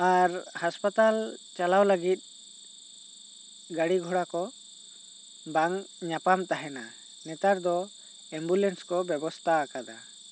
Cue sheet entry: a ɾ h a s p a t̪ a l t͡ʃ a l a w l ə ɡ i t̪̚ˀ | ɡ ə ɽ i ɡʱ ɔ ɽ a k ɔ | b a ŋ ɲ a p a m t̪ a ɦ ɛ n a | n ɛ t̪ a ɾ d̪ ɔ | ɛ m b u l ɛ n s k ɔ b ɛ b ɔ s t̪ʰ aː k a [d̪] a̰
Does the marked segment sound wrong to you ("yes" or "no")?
no